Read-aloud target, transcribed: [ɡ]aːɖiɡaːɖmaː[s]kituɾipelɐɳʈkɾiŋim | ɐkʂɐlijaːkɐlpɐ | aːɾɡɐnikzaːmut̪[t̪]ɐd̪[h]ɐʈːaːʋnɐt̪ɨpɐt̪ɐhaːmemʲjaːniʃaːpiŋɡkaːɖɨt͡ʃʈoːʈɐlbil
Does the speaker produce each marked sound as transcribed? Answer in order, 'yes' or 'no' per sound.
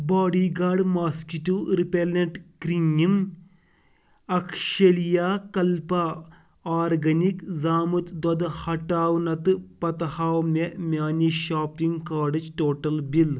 no, yes, no, yes

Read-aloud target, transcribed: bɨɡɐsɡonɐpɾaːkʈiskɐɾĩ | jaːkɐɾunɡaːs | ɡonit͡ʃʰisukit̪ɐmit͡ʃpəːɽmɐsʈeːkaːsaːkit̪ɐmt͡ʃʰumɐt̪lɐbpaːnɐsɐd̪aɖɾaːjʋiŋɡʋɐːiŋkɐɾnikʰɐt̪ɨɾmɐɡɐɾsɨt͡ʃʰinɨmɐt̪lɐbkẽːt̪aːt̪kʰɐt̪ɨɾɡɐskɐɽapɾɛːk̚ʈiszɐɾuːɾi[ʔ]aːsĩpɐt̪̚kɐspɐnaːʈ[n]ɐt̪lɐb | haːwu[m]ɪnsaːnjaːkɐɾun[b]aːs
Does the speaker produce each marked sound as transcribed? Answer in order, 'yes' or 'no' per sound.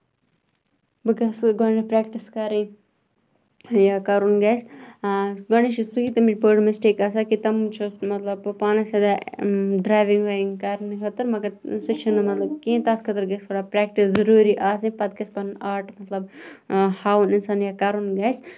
yes, no, no, no

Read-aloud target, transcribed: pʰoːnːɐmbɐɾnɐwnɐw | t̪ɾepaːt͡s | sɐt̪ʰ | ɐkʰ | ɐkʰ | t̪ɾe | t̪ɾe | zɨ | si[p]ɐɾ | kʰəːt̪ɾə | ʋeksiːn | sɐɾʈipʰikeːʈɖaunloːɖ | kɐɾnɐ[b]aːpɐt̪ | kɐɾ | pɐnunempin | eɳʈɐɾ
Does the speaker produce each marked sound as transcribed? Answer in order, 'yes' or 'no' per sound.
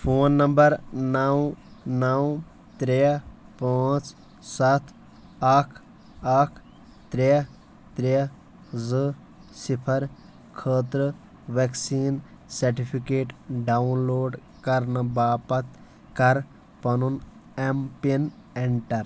no, yes

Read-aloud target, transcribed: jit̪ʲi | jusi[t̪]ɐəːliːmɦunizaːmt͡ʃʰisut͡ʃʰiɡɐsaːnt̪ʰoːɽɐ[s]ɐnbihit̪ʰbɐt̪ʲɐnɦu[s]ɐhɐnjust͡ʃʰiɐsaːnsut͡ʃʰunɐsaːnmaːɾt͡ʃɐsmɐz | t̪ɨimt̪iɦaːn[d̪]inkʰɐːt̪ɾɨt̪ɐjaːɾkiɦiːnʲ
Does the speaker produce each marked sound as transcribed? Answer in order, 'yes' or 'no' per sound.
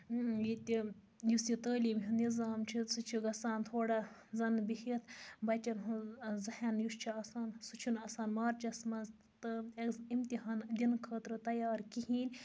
yes, no, no, yes

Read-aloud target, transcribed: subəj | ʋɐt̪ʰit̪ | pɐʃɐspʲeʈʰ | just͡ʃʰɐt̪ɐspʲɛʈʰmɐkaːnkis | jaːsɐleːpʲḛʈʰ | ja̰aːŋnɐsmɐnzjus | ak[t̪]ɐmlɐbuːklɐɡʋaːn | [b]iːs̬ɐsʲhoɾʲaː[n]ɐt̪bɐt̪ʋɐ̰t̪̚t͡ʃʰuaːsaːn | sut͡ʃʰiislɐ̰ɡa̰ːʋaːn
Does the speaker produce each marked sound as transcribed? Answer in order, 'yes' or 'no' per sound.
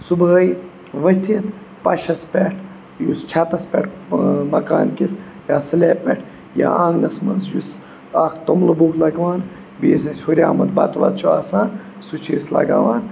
yes, yes, no

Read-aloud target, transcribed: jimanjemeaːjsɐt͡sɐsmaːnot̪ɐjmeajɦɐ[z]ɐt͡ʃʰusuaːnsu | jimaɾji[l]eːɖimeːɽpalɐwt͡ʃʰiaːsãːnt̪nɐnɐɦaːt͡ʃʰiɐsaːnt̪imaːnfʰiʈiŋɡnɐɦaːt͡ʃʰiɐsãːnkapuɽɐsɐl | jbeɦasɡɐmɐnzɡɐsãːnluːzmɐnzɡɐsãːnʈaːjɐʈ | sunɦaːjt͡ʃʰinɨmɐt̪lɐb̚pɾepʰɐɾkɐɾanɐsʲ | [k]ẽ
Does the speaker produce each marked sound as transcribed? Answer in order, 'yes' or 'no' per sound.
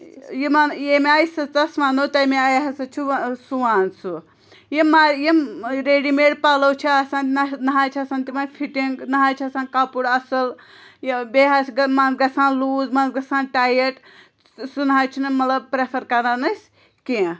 no, no, yes

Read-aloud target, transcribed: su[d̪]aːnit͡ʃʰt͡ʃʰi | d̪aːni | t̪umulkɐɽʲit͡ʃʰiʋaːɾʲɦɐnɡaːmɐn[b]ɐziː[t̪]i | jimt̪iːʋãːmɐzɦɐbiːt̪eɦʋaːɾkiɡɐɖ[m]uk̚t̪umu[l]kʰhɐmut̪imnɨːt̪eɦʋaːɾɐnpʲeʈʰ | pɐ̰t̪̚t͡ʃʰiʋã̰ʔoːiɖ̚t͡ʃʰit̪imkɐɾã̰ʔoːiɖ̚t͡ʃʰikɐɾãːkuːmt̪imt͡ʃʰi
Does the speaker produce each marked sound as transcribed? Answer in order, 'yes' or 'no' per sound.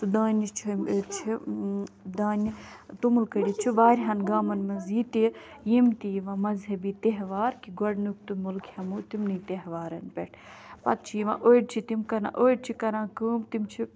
yes, no, yes, no, yes

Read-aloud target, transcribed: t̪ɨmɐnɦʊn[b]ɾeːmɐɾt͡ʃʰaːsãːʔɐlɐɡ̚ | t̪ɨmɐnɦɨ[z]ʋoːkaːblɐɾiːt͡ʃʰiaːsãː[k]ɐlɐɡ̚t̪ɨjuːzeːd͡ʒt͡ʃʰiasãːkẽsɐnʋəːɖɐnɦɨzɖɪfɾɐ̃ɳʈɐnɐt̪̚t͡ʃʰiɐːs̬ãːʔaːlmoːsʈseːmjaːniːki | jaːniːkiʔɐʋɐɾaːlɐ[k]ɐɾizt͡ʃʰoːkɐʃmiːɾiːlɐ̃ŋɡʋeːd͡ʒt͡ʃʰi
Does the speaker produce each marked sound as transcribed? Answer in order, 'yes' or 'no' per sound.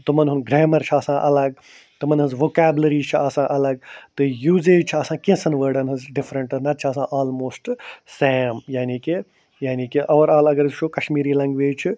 no, yes, no, no

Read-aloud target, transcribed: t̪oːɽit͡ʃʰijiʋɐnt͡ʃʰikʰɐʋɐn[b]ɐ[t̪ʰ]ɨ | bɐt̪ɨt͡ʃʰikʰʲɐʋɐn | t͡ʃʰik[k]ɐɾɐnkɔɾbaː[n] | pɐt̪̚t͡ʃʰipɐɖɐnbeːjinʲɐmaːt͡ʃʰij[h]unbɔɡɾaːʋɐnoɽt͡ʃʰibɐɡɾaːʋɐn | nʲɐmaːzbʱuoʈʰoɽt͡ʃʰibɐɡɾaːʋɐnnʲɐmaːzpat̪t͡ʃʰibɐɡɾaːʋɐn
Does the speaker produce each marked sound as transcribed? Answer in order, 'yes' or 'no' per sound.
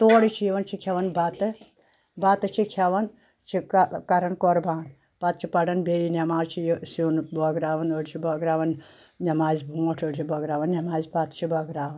yes, no, yes, yes, no

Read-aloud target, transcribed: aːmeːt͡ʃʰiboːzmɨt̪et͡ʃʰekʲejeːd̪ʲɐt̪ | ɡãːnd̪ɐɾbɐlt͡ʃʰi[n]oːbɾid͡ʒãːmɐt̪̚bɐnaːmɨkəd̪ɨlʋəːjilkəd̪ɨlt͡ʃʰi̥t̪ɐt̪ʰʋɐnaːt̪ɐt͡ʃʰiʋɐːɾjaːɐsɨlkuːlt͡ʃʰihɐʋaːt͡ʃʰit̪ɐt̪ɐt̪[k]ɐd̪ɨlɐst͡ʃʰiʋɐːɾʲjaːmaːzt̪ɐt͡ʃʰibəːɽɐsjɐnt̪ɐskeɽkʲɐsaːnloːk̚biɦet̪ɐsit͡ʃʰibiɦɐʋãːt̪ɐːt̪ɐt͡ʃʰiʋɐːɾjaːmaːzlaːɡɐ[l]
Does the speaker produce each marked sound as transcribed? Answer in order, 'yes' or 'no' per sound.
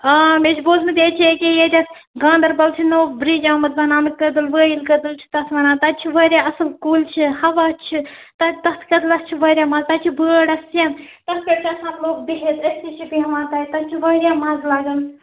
yes, yes, yes

